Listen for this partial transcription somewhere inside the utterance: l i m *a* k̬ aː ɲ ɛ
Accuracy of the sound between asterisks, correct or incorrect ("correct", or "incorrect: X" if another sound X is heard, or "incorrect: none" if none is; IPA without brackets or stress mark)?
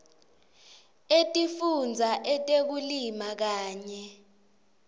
correct